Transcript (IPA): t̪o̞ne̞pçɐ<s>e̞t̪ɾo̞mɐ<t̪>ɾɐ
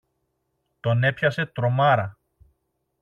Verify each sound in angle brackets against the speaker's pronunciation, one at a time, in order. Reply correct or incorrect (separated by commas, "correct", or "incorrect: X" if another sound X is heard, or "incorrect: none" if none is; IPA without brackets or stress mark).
correct, incorrect: none